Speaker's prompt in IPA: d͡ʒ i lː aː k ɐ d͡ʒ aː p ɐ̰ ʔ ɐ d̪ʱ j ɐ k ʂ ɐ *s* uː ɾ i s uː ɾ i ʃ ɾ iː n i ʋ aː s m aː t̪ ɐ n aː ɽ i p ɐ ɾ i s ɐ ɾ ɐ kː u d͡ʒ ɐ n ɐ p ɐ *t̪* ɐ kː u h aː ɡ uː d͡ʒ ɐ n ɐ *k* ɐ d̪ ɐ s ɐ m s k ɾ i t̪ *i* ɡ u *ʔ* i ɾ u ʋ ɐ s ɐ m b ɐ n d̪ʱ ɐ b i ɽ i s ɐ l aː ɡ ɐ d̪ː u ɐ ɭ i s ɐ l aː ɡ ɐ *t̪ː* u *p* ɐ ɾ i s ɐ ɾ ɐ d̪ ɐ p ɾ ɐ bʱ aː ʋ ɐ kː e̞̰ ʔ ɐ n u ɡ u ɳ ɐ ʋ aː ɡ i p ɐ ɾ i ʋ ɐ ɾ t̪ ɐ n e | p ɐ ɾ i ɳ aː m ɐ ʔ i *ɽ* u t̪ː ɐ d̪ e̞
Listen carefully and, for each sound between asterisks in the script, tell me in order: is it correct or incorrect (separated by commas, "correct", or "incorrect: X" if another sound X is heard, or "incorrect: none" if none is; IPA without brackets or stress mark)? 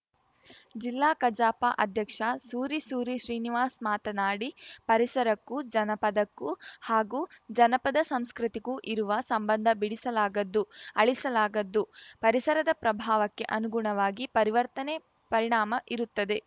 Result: correct, incorrect: d̪, incorrect: p, correct, correct, incorrect: d̪ː, correct, incorrect: ɾ